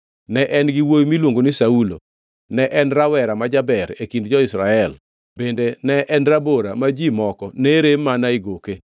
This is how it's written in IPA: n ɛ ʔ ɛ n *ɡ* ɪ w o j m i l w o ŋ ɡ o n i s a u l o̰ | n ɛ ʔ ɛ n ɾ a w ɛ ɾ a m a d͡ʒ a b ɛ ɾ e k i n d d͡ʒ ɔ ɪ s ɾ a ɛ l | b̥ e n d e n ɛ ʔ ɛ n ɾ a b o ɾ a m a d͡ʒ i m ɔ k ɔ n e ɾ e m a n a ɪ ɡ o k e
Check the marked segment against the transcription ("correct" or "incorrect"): correct